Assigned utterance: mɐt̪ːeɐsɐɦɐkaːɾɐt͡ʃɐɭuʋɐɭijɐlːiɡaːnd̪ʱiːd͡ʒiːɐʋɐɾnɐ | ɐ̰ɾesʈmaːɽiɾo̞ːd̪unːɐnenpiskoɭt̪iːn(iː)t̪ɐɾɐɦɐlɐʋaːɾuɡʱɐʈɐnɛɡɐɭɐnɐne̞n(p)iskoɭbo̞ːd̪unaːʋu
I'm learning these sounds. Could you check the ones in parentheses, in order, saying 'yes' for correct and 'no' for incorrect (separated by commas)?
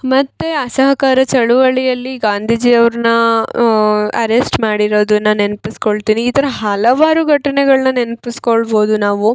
yes, yes